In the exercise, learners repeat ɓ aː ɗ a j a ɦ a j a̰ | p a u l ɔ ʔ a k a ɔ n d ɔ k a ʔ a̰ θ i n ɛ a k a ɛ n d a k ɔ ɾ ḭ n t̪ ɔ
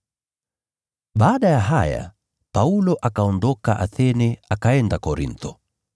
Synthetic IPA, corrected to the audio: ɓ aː ɗ a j a ɦ a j a̰ | p a u l ɔ ʔ a k a ɔ n d ɔ k a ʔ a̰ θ ɛ n ɛ a k a ɛ n d a k ɔ ɾ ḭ n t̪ ɔ